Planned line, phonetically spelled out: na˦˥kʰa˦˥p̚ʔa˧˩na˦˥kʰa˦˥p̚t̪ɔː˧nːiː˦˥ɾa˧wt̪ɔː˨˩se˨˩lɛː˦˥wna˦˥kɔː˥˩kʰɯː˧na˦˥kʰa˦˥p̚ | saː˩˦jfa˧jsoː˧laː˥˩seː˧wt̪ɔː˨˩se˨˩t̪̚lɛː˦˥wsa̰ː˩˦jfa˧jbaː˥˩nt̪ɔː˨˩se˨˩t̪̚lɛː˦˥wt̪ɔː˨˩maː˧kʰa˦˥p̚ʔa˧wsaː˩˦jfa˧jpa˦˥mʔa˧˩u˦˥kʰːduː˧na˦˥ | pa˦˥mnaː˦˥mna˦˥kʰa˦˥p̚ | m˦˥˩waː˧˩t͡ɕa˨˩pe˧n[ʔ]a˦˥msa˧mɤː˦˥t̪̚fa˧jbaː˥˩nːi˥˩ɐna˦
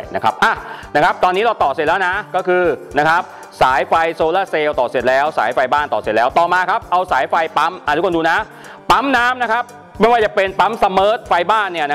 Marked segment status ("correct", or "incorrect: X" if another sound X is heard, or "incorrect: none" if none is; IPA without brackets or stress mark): incorrect: p